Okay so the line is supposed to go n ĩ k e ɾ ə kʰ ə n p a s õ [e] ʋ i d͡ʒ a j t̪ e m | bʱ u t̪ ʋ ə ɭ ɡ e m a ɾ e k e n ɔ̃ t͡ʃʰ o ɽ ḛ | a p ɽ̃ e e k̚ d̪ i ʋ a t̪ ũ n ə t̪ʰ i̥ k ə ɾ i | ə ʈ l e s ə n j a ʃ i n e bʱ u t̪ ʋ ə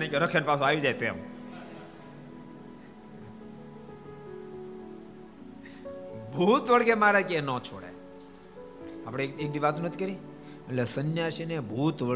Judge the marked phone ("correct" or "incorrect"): incorrect